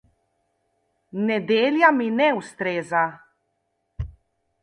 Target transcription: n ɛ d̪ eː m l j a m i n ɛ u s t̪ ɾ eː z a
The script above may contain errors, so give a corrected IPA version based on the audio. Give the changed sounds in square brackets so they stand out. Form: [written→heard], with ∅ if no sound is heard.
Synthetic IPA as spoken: n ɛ d̪ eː [m→∅] l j a m i n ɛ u s t̪ ɾ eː z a